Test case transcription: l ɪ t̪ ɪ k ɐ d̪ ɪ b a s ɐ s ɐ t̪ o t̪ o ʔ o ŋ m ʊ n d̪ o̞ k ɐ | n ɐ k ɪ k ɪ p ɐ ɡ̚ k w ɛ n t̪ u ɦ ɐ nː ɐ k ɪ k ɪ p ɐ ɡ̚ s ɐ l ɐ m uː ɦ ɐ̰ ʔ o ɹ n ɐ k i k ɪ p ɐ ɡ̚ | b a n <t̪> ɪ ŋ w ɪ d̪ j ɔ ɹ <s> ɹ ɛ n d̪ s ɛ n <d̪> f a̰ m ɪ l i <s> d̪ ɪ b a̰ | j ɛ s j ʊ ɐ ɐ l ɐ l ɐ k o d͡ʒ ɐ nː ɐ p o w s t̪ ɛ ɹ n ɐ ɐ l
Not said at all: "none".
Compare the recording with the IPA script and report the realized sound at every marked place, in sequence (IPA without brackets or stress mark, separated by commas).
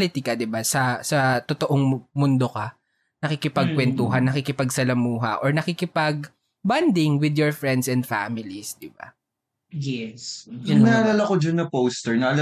d̪, f, d̪, s